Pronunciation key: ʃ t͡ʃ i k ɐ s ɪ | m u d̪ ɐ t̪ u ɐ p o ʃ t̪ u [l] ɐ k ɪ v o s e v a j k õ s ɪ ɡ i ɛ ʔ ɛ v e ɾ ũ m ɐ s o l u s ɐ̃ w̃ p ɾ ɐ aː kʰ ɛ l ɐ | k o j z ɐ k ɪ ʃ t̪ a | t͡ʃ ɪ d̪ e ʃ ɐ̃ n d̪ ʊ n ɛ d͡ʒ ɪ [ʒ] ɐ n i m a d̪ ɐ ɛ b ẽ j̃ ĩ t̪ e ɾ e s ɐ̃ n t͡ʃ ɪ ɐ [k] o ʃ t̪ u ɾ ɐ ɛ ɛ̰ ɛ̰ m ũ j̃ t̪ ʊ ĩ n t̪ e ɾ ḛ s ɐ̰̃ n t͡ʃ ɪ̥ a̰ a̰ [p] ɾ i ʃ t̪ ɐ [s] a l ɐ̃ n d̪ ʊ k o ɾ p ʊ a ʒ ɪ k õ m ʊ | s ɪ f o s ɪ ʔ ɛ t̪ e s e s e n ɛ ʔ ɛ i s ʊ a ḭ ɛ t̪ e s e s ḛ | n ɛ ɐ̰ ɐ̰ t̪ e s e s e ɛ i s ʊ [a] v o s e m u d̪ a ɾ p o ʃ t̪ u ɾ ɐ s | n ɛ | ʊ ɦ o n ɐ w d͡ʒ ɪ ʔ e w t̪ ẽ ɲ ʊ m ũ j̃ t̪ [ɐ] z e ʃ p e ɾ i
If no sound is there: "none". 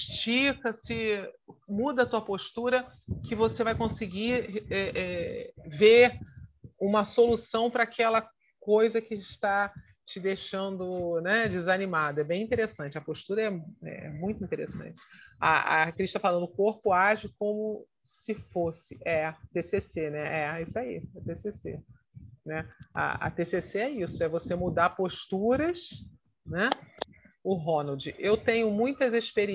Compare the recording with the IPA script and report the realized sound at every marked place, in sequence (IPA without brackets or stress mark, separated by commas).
ɾ, z, p, k, f, ɛ, ɐ